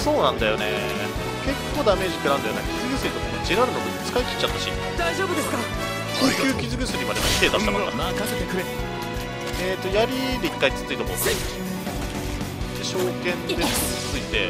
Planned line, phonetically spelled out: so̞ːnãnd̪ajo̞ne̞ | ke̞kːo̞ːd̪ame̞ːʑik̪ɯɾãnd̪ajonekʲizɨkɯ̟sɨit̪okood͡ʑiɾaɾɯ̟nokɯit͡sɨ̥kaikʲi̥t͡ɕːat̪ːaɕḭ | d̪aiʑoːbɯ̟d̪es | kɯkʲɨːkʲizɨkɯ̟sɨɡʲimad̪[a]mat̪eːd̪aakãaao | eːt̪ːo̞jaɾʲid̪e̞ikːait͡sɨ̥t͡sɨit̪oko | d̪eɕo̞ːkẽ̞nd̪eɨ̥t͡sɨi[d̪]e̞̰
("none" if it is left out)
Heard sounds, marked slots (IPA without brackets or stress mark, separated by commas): e, t̪